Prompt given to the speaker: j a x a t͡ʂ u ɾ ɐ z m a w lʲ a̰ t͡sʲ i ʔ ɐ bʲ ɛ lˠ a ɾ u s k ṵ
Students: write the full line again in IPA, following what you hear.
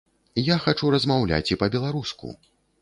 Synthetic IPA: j a x a t͡ʂ u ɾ ɐ z m a w lʲ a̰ t͡sʲ i p ɐ bʲ ɛ lˠ a ɾ u s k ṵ